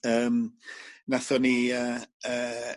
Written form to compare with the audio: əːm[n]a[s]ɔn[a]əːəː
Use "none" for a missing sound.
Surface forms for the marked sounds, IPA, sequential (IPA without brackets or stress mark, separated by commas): n, θ, i